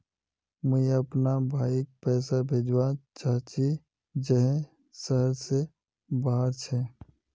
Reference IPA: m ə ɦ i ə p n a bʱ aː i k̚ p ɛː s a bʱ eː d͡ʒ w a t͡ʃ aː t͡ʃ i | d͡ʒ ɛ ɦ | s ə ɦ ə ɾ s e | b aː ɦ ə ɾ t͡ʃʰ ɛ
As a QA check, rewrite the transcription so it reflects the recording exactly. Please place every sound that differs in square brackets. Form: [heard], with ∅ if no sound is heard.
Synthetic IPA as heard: m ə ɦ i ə p n a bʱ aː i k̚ p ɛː s a bʱ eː d͡ʒ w a t͡ʃ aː t͡ʃ i | d͡ʒ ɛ ɦ | s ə ɦ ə ɾ s e | b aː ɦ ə ɾ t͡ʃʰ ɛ